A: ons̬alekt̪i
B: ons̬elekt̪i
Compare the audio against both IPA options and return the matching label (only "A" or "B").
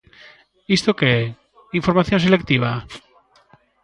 B